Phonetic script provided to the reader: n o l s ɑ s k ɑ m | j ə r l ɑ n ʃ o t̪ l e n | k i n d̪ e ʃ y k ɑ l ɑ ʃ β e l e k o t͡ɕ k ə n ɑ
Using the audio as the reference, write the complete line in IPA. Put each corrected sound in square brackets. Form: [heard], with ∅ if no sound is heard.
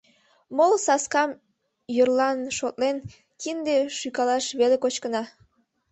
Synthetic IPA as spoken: [m] o l s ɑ s k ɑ m | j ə r l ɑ n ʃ o t̪ l e n | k i n d̪ e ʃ y k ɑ l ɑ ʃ β e l e k o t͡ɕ k ə n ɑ